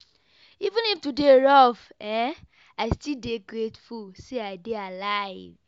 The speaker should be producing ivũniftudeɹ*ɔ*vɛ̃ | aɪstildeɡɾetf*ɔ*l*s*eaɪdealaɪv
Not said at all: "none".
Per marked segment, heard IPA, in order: ɔ, u, s

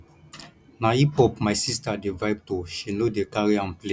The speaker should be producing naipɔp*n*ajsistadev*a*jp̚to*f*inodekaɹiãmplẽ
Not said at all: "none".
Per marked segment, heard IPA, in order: m, a, ʃ

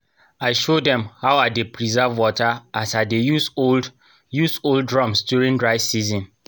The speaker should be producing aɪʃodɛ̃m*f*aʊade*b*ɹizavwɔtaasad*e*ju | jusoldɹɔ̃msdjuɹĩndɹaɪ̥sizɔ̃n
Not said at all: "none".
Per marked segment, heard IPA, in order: h, p, e

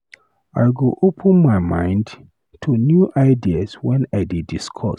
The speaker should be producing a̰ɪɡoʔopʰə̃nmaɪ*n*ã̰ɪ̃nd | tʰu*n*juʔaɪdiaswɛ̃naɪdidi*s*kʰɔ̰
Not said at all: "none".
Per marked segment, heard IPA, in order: m, n, s

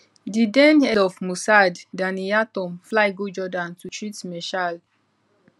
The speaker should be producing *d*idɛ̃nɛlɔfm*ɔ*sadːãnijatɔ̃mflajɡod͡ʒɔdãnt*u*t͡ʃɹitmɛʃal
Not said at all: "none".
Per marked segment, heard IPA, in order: d, u, u

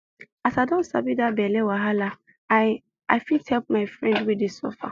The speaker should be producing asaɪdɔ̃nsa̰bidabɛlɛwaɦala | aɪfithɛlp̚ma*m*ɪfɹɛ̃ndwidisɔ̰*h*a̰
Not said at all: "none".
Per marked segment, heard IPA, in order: none, f

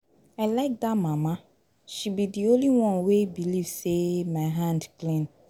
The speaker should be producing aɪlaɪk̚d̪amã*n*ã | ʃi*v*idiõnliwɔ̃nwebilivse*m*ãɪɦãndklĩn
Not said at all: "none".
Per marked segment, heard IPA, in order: m, b, m

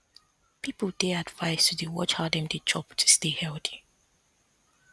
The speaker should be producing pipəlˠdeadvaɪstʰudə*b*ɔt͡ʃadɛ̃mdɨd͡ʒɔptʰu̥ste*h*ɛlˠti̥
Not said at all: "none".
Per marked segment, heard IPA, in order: w, h

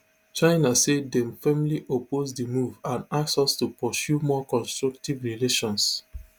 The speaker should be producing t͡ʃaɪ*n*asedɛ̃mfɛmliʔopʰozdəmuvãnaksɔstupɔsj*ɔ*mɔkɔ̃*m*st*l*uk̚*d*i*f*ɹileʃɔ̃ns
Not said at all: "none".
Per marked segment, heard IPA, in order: n, u, n, ɹ, t, v

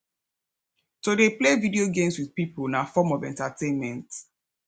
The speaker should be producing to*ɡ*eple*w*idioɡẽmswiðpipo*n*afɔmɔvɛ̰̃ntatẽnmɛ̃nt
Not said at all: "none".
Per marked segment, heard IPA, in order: d, v, n

